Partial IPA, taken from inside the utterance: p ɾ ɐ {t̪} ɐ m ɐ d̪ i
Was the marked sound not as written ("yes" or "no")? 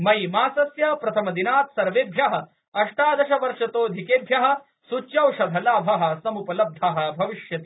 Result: yes